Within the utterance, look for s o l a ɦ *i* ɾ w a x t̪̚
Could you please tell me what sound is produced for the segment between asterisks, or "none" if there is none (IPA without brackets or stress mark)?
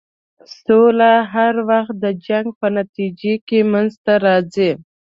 a